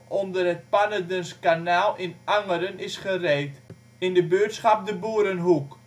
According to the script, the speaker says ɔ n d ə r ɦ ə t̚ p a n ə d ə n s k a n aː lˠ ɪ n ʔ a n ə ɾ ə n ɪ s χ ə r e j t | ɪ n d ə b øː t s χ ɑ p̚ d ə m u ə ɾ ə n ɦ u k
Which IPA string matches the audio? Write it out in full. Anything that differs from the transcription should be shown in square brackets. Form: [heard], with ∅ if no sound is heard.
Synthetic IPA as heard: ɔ n d ə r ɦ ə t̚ p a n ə d ə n s k a n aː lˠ ɪ n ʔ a [ŋ] ə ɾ ə n ɪ s χ ə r e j t | ɪ n d ə b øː t s χ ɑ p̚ d ə [b] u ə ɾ ə n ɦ u k